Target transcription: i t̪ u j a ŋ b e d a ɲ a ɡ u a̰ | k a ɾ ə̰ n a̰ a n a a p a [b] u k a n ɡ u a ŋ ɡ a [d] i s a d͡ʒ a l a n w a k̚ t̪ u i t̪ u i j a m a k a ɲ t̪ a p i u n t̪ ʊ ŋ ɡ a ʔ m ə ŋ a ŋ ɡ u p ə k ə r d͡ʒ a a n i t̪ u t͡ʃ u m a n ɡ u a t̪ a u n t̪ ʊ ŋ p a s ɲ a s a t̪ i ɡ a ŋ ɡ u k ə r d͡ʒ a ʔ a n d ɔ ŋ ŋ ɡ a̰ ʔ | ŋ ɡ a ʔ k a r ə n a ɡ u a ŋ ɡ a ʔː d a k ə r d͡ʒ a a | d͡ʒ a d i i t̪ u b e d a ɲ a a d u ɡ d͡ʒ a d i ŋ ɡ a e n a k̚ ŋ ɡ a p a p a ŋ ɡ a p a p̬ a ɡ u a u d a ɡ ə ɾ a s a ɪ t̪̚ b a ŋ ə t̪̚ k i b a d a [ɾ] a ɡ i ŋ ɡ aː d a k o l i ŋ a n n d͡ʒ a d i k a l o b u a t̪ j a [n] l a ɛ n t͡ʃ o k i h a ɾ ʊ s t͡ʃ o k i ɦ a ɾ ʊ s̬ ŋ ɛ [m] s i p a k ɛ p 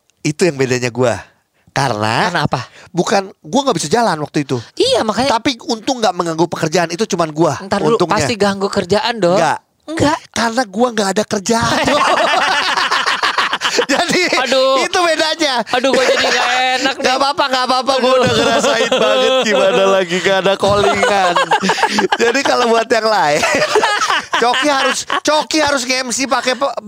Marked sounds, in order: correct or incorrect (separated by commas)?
correct, incorrect, incorrect, incorrect, correct